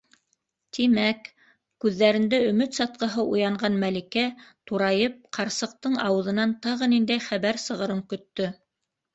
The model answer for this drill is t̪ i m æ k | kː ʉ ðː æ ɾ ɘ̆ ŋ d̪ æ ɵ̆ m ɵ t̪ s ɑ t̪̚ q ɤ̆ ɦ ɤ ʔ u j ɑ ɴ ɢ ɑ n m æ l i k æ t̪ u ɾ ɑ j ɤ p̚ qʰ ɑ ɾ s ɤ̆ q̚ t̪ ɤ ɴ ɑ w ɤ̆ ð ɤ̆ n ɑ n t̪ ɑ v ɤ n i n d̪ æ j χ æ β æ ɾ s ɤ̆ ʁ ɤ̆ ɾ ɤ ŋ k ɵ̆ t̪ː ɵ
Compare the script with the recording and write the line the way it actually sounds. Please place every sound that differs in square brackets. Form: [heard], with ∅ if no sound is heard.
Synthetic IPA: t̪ i m æ k | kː ʉ ðː æ ɾ ɘ̆ [n] d̪ æ ɵ̆ m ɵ t̪ s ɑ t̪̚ q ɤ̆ ɦ ɤ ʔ u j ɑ ɴ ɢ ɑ n m æ l i k æ t̪ u ɾ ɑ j ɤ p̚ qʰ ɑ ɾ s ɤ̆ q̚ t̪ ɤ ɴ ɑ w ɤ̆ ð ɤ̆ n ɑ n t̪ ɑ [ʁ] ɤ n i n d̪ æ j χ æ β æ ɾ s ɤ̆ ʁ ɤ̆ ɾ ɤ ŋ k ɵ̆ t̪ː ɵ